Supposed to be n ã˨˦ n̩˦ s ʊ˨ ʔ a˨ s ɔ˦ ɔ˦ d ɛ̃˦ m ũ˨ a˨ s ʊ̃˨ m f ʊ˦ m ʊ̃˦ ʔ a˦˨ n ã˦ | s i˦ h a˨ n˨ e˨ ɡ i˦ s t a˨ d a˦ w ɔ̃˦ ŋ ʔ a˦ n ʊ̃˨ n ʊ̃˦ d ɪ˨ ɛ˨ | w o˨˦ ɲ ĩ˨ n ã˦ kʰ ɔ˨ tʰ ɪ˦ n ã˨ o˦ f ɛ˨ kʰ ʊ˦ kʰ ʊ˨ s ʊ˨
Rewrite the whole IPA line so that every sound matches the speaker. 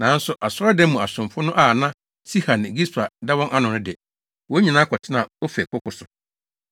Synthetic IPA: n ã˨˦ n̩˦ s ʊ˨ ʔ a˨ s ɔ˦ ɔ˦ d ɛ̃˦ m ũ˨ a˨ s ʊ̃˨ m f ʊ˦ n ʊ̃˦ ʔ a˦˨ n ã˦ | s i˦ h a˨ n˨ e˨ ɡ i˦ s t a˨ d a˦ w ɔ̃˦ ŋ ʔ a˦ n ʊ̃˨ n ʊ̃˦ d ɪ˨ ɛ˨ | w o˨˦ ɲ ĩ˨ n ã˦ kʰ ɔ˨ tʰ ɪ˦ n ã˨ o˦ f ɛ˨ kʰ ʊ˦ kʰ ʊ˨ s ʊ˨